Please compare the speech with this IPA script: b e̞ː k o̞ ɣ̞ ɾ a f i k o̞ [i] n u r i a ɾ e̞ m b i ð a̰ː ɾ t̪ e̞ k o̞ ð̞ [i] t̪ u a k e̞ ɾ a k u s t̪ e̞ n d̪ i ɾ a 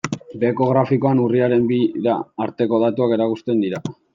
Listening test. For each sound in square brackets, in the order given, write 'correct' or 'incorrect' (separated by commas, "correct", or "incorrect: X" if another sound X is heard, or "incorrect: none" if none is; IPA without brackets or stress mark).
incorrect: a, incorrect: a